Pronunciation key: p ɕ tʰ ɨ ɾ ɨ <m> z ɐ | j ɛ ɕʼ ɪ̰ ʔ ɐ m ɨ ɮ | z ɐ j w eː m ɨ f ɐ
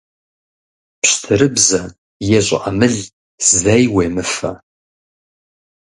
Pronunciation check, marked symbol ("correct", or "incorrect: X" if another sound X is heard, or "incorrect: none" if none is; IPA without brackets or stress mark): incorrect: b